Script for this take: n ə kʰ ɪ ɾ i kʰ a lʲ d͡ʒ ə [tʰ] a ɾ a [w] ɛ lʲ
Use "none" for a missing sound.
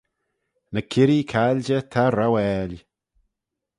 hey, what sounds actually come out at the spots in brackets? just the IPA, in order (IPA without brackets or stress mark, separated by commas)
tʰ, w